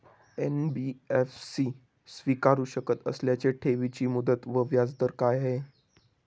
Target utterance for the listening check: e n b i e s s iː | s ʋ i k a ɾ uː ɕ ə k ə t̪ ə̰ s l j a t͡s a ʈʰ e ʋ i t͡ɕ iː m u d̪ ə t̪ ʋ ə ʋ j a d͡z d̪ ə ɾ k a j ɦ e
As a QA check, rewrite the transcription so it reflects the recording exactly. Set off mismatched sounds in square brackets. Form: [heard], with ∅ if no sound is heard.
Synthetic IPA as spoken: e n b i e [f] s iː | s ʋ i k a ɾ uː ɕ ə k ə t̪ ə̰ s l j a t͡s [e] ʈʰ e ʋ i t͡ɕ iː m u d̪ ə t̪ ʋ ə ʋ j a d͡z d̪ ə ɾ k a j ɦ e